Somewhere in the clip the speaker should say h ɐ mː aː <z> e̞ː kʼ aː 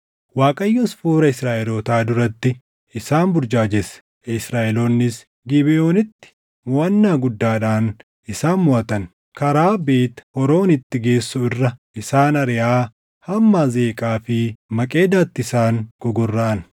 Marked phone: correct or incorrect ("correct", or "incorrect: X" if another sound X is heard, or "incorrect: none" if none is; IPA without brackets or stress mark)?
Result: correct